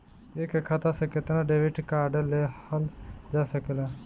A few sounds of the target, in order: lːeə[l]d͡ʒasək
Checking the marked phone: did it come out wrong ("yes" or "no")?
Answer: no